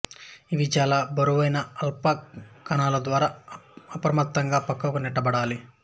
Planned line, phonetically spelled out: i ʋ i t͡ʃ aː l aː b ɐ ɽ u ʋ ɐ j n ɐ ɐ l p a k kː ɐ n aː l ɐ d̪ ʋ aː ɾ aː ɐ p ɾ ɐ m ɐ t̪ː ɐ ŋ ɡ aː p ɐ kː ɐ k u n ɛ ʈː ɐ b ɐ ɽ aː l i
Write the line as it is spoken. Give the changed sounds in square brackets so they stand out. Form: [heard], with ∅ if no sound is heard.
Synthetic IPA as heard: i ʋ i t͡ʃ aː l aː b ɐ [ɾ] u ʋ ɐ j n ɐ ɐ l p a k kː ɐ n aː l ɐ d̪ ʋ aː ɾ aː ɐ p ɾ ɐ m ɐ t̪ː ɐ ŋ ɡ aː p ɐ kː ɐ k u n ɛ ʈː ɐ b ɐ ɽ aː l i